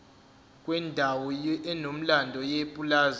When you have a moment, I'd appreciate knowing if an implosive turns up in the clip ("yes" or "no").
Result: no